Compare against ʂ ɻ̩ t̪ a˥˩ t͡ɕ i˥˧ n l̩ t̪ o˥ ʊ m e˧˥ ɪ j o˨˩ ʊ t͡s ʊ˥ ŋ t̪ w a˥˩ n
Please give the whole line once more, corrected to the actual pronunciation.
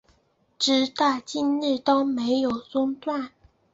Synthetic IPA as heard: ʈ͡ʂ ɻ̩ t̪ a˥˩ t͡ɕ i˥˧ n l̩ t̪ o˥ ʊ m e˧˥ ɪ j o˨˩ ʊ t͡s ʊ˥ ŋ t̪ w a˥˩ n